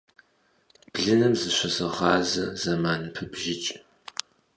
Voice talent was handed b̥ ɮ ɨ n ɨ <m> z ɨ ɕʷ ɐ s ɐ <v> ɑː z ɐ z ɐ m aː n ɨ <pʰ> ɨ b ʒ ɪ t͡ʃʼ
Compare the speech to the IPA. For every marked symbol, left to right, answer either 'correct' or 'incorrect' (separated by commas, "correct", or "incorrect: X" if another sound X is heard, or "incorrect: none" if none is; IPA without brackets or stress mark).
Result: correct, incorrect: ʁ, correct